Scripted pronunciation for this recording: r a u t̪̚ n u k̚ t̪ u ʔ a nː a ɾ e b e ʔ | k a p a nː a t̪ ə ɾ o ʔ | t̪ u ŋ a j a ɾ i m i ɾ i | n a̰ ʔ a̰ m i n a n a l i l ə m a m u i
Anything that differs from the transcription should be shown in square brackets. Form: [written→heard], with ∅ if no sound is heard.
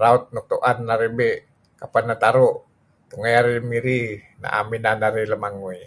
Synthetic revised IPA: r a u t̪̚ n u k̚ t̪ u ʔ a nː a ɾ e b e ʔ | k a p a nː a t̪ [ə→a] ɾ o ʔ | t̪ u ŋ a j a ɾ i m i ɾ i | n a̰ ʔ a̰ m i n a n a [l→ɾ] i l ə m a [m→ŋ] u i